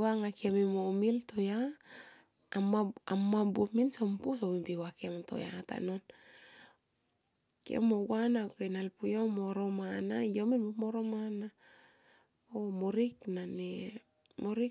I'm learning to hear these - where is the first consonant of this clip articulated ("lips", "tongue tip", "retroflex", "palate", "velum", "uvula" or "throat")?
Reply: velum